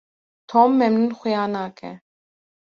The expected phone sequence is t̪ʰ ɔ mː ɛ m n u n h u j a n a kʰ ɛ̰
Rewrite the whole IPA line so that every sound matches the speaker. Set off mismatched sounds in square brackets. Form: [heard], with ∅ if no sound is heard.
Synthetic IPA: t̪ʰ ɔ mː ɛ m n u n [χ] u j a n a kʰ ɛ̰